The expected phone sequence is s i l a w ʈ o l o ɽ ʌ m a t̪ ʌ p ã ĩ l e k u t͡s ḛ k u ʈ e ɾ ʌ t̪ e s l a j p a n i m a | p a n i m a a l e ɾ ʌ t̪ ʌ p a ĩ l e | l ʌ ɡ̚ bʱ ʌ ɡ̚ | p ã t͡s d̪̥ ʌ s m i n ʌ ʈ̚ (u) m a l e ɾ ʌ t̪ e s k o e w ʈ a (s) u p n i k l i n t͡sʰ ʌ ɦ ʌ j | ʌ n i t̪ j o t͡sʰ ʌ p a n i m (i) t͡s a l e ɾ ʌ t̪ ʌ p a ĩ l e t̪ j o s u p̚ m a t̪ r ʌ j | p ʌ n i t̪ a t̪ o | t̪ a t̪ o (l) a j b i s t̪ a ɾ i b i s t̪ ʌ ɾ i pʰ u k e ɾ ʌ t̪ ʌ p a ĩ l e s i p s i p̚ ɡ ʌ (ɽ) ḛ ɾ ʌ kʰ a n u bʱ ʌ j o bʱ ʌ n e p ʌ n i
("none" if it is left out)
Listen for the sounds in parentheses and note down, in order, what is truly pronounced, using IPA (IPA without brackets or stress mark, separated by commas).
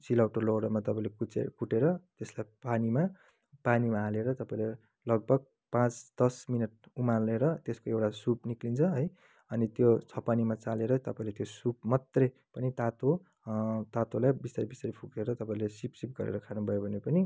u, s, a, l, ɾ